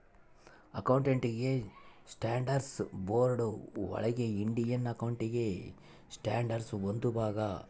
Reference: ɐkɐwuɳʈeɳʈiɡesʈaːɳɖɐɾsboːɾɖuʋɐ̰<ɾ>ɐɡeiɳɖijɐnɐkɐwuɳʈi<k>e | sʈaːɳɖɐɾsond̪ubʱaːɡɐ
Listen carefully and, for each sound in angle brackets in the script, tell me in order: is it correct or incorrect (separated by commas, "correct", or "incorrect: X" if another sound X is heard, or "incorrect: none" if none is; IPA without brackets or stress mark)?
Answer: incorrect: ɭ, incorrect: ɡ